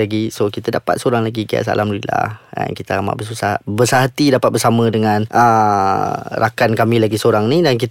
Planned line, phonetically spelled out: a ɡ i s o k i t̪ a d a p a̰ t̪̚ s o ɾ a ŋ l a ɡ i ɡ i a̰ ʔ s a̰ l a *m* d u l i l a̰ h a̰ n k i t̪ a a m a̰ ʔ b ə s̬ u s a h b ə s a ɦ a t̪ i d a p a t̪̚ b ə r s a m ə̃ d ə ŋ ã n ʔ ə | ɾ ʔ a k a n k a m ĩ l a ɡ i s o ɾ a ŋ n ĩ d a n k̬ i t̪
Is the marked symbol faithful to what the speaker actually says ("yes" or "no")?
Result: yes